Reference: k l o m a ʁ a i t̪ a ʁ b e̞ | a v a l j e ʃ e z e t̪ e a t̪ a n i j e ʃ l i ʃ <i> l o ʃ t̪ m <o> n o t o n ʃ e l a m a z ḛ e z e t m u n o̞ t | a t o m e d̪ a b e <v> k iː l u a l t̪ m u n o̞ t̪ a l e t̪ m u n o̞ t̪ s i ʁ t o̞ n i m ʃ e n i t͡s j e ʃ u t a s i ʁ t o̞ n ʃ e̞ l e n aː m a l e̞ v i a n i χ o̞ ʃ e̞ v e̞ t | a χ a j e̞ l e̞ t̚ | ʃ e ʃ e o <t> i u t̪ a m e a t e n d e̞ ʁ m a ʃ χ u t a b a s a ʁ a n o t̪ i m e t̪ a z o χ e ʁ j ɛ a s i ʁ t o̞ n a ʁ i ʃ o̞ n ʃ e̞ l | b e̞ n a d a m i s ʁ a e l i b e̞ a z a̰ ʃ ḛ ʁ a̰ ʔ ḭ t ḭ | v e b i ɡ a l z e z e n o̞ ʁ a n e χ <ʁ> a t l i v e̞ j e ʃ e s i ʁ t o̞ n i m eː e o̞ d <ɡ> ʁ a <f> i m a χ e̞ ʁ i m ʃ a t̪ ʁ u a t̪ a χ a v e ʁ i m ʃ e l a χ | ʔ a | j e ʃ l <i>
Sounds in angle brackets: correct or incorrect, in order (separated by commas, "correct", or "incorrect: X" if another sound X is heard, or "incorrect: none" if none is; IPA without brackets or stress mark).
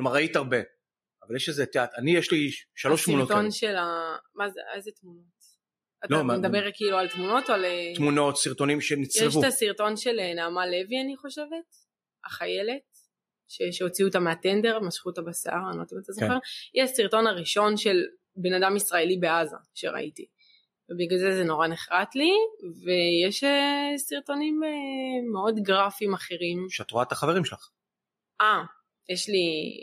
incorrect: a, incorrect: u, incorrect: ʁ, incorrect: t͡s, correct, correct, correct, correct